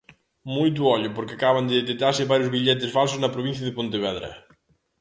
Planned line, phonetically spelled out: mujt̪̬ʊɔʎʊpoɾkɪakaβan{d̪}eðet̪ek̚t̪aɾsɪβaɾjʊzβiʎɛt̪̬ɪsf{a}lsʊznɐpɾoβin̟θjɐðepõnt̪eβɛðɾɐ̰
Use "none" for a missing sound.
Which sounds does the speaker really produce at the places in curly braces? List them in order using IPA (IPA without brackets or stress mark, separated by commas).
d̪, a